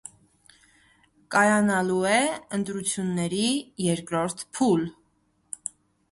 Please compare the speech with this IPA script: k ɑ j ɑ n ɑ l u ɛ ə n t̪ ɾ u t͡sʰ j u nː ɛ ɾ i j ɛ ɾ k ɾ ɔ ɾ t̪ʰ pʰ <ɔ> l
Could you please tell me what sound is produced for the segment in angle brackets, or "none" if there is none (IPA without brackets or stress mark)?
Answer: u